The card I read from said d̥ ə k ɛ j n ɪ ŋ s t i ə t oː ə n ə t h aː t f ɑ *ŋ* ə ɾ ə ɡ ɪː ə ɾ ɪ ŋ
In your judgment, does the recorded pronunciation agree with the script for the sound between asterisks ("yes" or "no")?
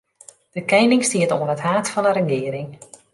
no